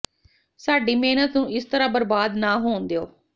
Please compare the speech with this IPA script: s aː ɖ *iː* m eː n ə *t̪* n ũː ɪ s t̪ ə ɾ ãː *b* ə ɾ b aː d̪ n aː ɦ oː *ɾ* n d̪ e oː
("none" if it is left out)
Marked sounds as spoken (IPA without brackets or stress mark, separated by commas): iː, t̪, b, none